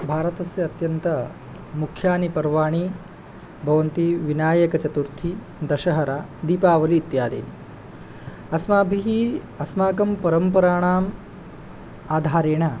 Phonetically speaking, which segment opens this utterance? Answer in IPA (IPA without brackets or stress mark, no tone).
bʱ